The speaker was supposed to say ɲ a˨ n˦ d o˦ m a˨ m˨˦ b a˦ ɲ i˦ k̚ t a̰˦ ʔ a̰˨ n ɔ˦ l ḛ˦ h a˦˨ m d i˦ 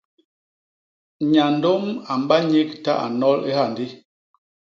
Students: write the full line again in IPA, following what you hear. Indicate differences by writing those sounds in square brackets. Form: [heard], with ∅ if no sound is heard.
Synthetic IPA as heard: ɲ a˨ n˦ d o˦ m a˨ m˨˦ b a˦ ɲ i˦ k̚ t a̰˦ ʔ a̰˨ n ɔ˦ l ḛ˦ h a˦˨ [n] d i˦